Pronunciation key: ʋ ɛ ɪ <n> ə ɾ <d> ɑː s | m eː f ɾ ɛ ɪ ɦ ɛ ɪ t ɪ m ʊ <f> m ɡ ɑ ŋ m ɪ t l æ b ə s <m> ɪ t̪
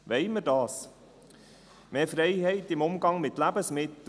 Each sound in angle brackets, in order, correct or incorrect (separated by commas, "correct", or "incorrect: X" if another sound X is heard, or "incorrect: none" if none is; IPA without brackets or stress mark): incorrect: m, correct, incorrect: none, correct